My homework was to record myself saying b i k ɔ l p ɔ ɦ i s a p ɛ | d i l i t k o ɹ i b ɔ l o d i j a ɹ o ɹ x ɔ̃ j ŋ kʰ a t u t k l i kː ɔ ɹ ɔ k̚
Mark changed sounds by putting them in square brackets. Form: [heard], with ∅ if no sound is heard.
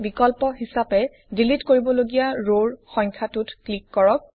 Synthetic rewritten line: b i k ɔ l p ɔ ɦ i s a p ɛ | d i l i t k o ɹ i b ɔ l o [ɡ] i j a ɹ o ɹ x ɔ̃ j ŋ kʰ a t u t k l i kː ɔ ɹ ɔ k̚